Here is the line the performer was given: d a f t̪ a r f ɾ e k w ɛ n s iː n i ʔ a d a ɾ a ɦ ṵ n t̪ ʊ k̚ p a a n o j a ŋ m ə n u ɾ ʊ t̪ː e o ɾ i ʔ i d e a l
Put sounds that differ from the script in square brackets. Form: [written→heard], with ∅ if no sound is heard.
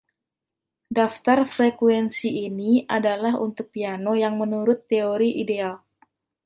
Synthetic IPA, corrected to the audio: d a f t̪ a r f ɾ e k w ɛ n s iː n i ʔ a d a [ɾ→l] a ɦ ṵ n t̪ ʊ k̚ p [a→i] a n o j a ŋ m ə n u ɾ ʊ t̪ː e o ɾ i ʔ i d e a l